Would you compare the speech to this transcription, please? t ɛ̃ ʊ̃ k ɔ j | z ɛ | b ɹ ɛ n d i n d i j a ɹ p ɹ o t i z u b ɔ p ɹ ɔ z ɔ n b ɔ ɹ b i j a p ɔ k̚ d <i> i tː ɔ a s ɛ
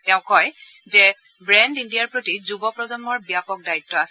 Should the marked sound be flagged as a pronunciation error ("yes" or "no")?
yes